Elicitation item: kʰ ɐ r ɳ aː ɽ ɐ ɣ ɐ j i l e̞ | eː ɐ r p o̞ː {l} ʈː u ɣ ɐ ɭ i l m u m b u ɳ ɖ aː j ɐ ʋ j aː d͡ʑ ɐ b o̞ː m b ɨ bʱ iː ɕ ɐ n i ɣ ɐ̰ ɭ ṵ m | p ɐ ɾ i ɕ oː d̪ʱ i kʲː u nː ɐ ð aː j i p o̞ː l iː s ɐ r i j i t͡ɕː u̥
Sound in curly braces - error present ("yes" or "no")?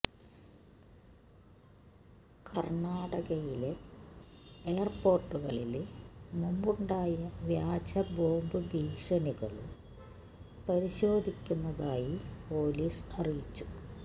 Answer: yes